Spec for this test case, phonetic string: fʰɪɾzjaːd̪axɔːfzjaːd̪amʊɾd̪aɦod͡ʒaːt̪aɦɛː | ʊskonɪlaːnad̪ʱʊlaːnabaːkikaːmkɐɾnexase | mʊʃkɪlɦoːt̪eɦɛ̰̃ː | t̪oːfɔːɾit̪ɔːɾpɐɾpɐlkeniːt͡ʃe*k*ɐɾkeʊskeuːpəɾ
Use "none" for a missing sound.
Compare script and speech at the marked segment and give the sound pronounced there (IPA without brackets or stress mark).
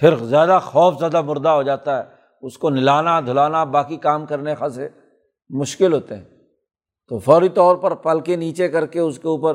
k